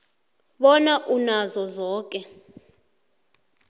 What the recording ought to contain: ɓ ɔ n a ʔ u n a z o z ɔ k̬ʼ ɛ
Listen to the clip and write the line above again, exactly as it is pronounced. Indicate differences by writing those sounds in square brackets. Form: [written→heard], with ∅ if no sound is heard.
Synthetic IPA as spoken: ɓ ɔ n a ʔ u n a z [o→ɔ] z [ɔ→ɔː] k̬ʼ ɛ